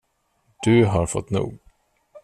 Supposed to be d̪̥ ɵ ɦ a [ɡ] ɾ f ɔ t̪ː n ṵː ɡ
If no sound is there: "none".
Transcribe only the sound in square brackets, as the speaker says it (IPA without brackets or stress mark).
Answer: none